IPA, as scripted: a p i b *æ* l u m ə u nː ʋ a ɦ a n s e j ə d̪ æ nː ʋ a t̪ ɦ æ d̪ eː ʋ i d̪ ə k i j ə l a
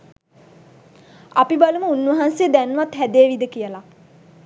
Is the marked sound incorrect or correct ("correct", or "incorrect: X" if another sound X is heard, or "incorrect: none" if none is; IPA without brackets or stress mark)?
incorrect: a